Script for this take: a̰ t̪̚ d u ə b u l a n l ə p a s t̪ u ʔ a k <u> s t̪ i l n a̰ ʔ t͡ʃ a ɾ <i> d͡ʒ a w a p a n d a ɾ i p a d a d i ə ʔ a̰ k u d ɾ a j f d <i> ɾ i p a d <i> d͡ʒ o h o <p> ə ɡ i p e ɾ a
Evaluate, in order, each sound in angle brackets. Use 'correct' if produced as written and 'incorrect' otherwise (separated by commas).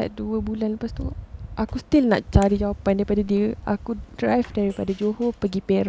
correct, correct, incorrect, incorrect, correct